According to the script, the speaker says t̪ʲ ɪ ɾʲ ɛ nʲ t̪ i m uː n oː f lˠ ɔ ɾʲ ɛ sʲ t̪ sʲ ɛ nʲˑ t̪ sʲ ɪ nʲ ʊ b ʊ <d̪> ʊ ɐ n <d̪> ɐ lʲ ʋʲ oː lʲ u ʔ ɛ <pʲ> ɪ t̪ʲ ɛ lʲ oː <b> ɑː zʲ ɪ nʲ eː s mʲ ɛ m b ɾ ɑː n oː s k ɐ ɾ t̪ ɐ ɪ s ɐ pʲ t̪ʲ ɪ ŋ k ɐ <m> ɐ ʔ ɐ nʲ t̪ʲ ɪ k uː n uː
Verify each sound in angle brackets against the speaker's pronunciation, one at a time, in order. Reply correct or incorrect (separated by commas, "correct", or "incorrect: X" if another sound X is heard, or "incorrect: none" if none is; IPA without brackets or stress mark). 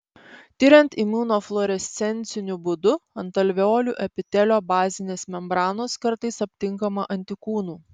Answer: correct, incorrect: t̪, correct, correct, correct